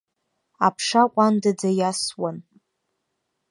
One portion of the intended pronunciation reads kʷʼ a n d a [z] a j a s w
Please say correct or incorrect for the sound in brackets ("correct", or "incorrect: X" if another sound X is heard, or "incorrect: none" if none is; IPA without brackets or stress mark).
incorrect: d͡z